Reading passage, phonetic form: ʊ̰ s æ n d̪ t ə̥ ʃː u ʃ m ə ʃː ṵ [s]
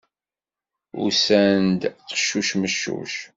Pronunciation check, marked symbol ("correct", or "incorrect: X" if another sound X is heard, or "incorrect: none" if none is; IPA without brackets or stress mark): incorrect: ʃ